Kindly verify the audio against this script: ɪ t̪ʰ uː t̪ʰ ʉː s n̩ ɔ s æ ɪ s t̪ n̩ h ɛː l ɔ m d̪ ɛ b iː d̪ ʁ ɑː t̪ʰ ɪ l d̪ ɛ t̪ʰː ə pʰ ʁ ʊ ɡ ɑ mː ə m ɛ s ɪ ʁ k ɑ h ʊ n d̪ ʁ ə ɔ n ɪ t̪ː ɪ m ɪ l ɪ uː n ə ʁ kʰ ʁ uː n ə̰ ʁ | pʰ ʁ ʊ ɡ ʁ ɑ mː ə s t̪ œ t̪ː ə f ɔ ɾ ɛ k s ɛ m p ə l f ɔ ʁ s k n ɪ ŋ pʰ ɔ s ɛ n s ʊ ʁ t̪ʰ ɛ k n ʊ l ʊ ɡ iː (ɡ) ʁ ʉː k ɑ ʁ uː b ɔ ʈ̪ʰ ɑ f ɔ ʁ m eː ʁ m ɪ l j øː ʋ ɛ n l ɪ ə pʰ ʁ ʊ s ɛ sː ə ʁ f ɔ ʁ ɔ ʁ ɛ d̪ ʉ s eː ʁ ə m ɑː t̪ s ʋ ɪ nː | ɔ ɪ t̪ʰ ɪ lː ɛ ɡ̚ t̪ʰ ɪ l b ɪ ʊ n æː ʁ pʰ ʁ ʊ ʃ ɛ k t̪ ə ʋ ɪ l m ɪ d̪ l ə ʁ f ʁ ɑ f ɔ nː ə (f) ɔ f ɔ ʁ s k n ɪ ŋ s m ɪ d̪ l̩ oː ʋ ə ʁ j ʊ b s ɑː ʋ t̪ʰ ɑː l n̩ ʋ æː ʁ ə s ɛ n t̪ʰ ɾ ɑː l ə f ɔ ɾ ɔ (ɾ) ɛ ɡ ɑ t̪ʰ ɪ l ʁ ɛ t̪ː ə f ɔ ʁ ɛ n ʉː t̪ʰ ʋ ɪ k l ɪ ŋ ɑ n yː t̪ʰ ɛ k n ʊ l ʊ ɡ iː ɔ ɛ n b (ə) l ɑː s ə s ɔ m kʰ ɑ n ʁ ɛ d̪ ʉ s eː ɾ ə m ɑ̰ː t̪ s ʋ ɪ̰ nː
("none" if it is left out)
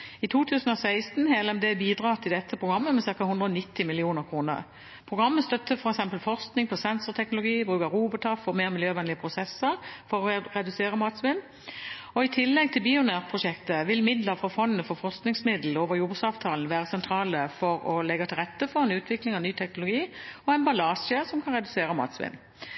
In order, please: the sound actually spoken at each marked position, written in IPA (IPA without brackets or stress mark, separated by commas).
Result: b, f, l, ɑ